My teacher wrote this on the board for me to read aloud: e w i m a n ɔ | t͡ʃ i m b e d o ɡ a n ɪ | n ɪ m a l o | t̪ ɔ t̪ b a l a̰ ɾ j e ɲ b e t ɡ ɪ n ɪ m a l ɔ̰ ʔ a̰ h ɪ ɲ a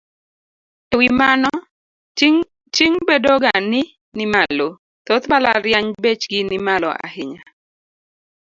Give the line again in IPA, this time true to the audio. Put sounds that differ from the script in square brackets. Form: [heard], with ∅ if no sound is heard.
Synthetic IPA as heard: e w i m a n ɔ | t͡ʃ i [ŋ] b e d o ɡ a n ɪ | n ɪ m a l o | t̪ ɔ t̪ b a l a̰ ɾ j [a] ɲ b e [t͡ʃ] ɡ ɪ n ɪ m a l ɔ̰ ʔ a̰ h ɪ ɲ a